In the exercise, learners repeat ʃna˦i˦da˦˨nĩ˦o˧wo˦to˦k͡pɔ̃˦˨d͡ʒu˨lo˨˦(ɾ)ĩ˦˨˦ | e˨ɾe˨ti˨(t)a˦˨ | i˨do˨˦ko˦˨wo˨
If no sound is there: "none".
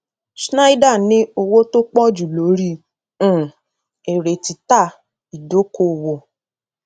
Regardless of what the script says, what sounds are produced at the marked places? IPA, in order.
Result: ɾ, t

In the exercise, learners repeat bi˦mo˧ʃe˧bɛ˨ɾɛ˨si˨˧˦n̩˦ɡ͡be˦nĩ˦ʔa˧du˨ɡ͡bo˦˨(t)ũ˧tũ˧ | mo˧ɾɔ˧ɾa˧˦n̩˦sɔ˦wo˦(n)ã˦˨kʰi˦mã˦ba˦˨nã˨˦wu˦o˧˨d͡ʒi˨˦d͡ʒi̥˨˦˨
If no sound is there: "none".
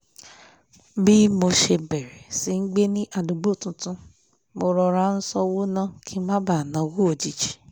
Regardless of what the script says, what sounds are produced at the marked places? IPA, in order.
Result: t, n

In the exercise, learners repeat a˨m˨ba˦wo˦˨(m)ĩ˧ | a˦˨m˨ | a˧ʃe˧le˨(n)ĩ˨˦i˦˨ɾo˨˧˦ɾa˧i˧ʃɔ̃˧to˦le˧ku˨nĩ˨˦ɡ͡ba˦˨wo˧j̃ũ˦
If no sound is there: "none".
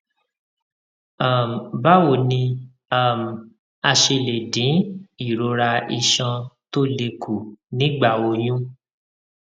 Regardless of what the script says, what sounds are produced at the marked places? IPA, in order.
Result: n, d

